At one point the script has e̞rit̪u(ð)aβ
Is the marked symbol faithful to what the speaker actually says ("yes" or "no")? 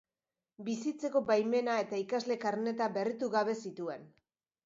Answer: no